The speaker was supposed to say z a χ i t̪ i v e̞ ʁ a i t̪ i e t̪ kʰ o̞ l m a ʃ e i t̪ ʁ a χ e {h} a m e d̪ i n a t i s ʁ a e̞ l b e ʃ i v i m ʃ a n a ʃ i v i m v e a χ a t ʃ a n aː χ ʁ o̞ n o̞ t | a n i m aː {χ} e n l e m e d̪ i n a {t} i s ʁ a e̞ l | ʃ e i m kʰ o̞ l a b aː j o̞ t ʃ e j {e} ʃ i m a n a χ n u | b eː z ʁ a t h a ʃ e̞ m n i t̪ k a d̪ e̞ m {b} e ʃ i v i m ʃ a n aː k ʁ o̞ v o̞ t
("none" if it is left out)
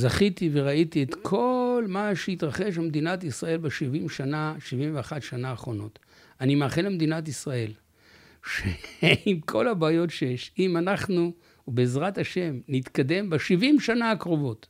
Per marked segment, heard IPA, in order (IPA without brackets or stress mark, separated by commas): ʃ, χ, t, e, b